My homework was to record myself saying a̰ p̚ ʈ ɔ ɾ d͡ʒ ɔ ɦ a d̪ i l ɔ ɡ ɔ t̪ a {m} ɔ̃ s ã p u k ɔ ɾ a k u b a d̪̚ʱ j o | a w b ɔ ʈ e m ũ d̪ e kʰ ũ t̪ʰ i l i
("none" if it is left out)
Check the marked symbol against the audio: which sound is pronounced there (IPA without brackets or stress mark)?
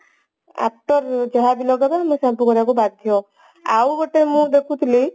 m